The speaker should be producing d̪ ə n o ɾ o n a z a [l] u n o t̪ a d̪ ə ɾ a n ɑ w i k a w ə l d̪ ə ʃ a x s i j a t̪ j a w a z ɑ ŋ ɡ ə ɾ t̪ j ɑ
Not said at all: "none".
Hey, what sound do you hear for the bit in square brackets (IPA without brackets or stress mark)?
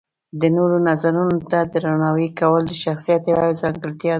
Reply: ɾ